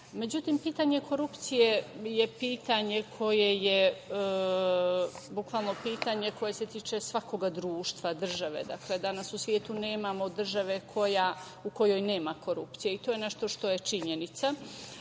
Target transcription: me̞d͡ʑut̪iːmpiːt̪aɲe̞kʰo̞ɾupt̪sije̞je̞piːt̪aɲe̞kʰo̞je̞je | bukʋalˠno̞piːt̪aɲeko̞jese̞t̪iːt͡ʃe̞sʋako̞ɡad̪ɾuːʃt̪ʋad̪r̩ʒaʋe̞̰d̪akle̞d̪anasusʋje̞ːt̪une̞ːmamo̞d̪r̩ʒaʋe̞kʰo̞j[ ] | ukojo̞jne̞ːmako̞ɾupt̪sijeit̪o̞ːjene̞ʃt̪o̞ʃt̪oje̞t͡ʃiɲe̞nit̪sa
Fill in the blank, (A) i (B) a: B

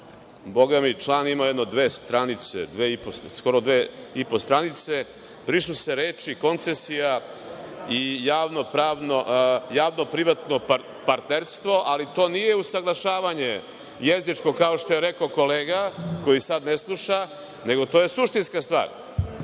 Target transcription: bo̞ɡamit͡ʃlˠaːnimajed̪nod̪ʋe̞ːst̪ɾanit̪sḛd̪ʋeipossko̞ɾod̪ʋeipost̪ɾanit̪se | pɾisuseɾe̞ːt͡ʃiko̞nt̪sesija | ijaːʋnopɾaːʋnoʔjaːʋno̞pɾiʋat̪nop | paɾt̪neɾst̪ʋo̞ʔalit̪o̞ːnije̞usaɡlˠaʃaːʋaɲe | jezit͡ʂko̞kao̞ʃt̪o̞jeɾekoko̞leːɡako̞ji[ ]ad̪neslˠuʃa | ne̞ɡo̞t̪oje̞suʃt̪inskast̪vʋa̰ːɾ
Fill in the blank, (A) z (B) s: B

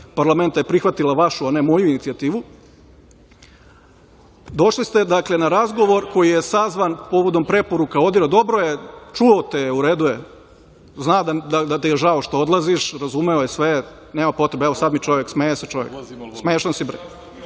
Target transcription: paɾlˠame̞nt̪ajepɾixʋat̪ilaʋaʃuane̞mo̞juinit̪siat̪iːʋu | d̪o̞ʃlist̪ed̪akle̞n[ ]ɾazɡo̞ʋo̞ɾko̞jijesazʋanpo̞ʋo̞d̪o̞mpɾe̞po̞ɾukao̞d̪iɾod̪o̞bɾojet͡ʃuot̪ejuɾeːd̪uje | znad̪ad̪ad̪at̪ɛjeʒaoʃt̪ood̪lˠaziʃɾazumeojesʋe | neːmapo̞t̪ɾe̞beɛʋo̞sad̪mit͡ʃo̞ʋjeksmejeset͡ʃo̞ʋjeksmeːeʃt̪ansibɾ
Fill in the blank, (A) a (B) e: A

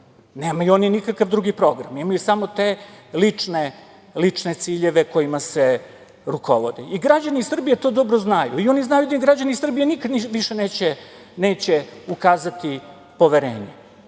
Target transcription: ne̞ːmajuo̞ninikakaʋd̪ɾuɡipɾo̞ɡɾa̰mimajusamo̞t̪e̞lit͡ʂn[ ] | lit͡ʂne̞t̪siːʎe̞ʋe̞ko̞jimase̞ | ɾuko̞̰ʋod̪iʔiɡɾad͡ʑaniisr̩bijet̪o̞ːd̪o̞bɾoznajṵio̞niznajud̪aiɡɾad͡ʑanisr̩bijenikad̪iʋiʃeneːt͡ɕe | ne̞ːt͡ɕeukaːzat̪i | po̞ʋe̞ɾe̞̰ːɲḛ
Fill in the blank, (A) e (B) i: A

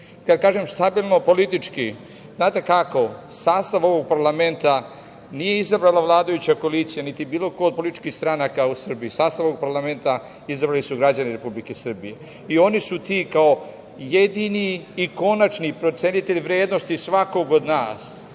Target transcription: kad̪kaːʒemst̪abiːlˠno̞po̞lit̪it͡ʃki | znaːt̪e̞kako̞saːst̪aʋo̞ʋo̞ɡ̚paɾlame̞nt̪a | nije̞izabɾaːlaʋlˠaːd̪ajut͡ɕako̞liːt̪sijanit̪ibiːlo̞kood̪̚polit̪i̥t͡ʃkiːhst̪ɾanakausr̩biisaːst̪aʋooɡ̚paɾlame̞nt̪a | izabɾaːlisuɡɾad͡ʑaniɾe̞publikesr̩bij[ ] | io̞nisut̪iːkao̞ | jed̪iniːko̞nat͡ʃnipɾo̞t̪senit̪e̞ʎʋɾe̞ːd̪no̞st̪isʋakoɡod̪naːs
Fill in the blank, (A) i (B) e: B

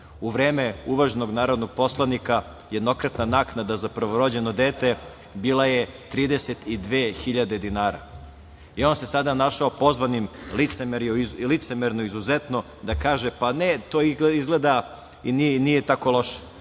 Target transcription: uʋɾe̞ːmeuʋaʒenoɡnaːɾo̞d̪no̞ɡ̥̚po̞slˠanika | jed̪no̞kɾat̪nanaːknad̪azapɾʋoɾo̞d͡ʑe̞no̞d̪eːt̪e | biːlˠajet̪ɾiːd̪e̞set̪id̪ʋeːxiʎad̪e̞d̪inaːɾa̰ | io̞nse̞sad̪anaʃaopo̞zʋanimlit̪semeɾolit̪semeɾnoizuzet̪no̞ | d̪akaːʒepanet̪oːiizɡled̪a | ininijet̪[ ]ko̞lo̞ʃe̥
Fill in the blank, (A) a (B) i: A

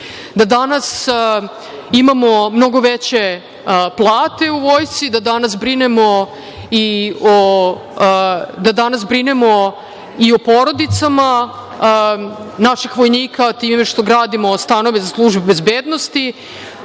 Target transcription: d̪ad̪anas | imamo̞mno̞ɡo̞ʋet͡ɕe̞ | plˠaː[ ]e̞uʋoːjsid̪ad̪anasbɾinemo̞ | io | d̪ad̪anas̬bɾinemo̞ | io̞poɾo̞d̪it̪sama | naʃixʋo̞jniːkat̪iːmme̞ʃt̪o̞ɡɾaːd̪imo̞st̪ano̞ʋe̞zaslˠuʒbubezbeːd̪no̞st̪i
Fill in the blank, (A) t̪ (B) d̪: A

